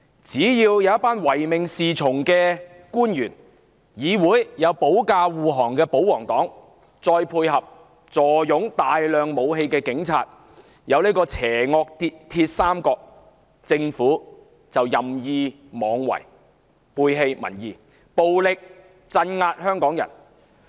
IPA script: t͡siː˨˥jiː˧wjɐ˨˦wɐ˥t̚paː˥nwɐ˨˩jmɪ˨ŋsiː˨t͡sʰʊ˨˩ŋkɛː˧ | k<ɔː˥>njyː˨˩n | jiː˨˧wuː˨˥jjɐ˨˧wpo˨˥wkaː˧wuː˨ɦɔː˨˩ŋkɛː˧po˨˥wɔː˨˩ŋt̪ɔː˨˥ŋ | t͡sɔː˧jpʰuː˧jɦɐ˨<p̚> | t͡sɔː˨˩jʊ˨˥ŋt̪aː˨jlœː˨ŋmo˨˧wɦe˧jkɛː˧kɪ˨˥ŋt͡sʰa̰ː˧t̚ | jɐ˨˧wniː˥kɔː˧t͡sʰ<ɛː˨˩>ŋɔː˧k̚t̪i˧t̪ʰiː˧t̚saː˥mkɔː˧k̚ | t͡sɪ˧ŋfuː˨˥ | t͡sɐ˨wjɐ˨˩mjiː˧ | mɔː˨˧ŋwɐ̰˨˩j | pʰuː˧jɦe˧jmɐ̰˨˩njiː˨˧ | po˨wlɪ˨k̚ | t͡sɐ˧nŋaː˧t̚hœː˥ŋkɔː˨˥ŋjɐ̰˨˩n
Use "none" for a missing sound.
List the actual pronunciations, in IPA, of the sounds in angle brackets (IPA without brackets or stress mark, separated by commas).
uː˥, p̚, ɛː˨˩